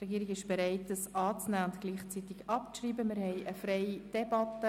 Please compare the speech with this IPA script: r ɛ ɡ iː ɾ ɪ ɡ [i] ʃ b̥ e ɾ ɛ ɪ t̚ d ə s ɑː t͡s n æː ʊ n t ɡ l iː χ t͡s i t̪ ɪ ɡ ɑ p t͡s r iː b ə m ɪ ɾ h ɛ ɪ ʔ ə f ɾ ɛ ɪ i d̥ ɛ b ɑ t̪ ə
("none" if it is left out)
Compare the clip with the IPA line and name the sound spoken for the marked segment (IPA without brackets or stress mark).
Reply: ɪ